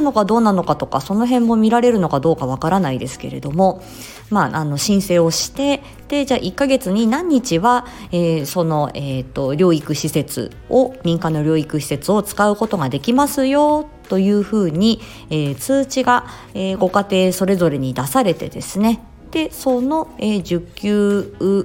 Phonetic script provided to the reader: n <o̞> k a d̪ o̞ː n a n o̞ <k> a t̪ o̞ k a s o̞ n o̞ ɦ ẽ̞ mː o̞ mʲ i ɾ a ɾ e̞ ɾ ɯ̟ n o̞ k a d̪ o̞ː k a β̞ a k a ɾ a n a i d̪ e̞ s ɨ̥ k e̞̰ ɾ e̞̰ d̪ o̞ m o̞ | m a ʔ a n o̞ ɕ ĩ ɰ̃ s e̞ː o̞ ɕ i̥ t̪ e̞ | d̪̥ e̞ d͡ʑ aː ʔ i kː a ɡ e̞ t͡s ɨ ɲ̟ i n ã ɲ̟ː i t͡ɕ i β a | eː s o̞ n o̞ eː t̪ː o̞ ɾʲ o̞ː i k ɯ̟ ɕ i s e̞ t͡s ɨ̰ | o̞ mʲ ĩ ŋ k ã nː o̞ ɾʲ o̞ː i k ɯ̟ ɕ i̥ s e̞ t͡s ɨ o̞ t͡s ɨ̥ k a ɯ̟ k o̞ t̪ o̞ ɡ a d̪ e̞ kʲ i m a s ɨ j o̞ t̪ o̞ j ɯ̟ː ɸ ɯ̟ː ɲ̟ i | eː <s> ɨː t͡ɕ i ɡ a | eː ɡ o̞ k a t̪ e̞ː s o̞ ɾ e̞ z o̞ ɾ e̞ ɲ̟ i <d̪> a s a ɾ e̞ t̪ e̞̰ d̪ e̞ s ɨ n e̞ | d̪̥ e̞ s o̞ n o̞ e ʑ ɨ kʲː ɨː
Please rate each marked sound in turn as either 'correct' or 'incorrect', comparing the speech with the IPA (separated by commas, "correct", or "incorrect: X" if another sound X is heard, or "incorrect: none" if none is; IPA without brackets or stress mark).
correct, correct, incorrect: t͡s, correct